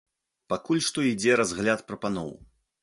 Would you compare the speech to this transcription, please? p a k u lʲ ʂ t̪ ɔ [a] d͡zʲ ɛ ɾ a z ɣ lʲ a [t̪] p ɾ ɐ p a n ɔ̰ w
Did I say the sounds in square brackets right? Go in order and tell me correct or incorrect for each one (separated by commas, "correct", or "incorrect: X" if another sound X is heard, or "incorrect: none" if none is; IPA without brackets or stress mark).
incorrect: i, correct